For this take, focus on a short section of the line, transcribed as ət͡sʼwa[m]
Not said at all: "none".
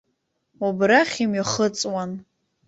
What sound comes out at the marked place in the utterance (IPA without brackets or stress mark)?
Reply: n